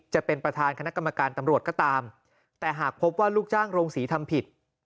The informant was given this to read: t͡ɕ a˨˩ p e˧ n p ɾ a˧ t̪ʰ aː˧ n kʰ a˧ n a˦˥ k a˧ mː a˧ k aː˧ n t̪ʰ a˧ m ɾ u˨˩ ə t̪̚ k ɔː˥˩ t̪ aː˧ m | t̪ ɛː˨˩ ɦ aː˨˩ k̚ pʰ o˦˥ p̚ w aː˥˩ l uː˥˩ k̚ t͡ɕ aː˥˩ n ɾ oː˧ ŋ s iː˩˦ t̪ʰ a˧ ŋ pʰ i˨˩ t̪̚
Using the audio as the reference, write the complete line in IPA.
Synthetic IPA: t͡ɕ a˨˩ p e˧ n p ɾ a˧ t̪ʰ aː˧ n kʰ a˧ n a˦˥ k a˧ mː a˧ k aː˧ n t̪ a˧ m ɾ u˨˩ ə t̪̚ k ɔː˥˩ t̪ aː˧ m | t̪ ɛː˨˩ ɦ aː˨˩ k̚ pʰ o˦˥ p̚ w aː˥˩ l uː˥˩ k̚ t͡ɕ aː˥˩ ŋ ɾ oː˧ ŋ s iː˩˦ t̪ʰ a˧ m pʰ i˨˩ t̪̚